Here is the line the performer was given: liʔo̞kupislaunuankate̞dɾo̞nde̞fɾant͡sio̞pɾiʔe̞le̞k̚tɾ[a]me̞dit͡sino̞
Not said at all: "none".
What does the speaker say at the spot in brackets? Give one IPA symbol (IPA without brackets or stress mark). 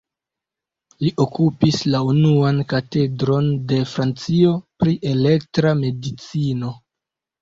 a